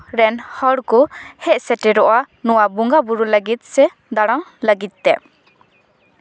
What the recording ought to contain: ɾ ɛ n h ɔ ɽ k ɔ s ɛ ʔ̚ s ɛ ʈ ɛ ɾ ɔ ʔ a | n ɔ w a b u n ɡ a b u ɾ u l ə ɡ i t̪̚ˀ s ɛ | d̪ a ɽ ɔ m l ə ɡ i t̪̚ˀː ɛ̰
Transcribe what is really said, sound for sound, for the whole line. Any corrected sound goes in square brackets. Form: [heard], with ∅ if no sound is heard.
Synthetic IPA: ɾ ɛ n h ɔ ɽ k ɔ [h] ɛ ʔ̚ s ɛ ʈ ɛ ɾ ɔ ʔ a | n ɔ w a b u [ŋ] ɡ a b u ɾ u l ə ɡ i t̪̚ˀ s ɛ | d̪ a ɽ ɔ [ŋ] l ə ɡ i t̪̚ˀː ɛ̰